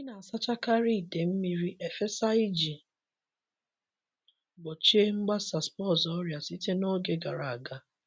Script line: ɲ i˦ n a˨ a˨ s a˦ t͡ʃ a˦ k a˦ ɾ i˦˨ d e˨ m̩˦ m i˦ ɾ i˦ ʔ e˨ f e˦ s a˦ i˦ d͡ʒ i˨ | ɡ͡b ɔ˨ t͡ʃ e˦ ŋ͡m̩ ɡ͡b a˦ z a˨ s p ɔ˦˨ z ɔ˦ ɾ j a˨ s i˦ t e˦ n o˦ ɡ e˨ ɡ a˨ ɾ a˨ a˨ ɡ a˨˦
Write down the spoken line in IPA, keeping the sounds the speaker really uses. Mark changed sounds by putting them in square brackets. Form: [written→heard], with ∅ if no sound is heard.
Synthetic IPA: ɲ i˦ n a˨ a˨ s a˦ t͡ʃ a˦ k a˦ ɾ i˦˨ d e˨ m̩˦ m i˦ ɾ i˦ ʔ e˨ f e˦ s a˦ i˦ d͡ʒ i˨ | ɡ͡b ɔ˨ t͡ʃ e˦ ŋ͡m̩ ɡ͡b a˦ [z→s] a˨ s p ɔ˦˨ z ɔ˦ ɾ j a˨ s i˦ t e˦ n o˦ ɡ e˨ ɡ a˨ ɾ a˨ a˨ ɡ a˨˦